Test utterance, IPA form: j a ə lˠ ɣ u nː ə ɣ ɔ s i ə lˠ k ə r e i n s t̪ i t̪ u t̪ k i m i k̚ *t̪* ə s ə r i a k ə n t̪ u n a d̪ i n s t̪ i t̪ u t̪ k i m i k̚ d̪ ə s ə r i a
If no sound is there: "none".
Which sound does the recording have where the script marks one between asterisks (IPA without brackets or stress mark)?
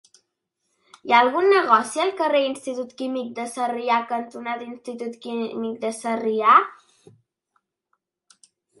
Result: d̪